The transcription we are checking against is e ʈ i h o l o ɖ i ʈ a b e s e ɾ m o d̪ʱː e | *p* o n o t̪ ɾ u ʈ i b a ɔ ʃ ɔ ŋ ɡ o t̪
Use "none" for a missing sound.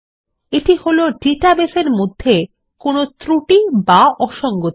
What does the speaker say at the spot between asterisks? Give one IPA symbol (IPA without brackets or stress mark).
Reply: k